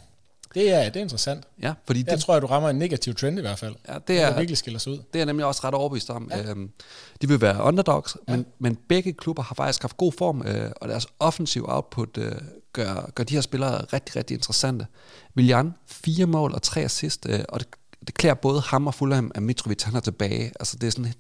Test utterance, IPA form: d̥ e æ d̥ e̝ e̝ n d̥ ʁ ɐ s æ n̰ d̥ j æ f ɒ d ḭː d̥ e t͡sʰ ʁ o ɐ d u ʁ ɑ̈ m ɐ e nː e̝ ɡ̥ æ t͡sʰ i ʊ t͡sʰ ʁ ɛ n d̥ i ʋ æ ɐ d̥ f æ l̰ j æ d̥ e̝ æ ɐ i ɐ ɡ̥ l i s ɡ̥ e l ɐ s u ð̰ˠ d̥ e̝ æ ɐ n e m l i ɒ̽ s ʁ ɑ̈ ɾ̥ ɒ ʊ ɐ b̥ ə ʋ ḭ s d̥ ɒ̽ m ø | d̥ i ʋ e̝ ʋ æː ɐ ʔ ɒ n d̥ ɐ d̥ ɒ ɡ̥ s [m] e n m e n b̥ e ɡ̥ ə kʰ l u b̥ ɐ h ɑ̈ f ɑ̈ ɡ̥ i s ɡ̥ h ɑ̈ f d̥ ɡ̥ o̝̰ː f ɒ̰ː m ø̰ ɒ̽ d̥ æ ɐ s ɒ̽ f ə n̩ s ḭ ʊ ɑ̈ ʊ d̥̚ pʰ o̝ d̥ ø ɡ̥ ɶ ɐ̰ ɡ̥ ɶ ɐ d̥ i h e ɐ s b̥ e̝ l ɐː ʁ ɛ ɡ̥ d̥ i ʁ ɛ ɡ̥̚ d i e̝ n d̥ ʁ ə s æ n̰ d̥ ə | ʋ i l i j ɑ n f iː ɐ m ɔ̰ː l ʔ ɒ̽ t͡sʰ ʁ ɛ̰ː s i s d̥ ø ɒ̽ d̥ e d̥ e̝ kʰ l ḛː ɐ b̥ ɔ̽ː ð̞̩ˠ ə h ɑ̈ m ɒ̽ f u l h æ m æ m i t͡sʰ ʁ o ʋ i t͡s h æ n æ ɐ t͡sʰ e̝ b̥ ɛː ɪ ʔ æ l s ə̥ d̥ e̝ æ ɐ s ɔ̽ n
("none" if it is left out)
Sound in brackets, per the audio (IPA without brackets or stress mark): m